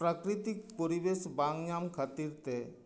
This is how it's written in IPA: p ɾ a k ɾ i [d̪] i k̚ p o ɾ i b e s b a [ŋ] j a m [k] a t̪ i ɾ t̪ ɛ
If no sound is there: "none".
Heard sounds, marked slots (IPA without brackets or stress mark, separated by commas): t̪, ŋ, kʰ